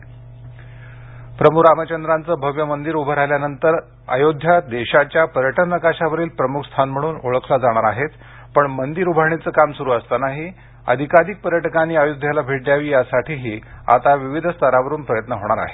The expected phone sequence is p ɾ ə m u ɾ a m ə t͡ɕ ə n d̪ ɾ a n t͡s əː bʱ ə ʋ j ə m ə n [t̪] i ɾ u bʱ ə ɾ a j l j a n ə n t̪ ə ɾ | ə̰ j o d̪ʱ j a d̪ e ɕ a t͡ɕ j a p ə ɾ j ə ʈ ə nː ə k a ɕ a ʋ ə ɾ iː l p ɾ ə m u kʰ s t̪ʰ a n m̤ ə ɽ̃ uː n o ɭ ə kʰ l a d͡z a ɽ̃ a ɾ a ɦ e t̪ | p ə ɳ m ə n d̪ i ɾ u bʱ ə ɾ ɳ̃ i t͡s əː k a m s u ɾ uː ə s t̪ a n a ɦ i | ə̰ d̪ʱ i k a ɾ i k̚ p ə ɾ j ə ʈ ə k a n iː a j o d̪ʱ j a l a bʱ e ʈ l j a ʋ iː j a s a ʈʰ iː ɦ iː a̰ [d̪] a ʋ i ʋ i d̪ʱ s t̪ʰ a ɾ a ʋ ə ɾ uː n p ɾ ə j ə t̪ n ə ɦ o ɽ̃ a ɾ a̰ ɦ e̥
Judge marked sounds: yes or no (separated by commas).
no, no